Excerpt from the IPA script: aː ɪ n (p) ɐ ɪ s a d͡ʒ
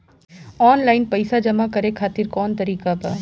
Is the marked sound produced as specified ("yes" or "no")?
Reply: yes